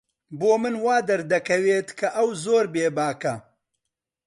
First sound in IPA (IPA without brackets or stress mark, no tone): b